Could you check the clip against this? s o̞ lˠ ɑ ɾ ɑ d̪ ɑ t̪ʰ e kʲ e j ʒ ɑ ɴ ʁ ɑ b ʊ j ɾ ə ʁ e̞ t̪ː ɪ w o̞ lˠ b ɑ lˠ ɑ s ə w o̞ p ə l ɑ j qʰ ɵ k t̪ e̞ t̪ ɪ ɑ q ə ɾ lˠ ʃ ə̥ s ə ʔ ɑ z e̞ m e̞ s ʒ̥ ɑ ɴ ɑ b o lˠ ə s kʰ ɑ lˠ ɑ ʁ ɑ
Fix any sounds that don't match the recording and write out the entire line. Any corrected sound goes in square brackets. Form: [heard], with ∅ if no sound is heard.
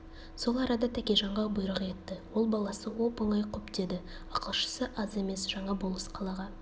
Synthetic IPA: s o̞ lˠ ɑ ɾ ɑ d̪ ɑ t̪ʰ [æ] kʲ e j ʒ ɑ ɴ ʁ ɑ b ʊ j ɾ ə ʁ e̞ t̪ː ɪ w o̞ lˠ b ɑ lˠ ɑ s ə w o̞ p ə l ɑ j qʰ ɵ [p] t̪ e̞ [d̪] ɪ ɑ q ə [∅] lˠ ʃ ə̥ s ə ʔ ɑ z e̞ m e̞ s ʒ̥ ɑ ɴ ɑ b o lˠ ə s [qʰ] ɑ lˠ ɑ ʁ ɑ